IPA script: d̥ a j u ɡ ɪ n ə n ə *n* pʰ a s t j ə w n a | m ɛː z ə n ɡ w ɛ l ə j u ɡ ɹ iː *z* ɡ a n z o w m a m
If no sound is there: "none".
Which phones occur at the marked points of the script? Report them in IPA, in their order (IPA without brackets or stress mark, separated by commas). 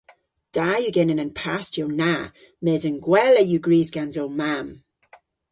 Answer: n, z